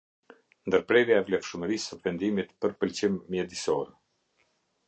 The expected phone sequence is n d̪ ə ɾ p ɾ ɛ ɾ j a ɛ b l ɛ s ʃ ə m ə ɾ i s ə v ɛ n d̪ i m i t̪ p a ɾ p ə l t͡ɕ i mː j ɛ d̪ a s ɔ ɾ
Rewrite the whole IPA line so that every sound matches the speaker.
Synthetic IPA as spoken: n d̪ ə ɾ p ɾ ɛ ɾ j a ɛ v l ɛ f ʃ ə m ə ɾ i s ə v ɛ n d̪ i m i t̪ p ə ɾ p ə l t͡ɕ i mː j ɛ d̪ i s ɔ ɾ